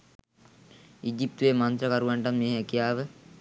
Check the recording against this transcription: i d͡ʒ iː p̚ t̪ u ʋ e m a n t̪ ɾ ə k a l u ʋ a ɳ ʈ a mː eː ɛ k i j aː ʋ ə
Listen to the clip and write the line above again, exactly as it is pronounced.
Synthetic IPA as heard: i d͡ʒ i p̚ t̪ u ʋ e m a n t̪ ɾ ə k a ɾ u ʋ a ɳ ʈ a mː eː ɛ k i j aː ʋ ə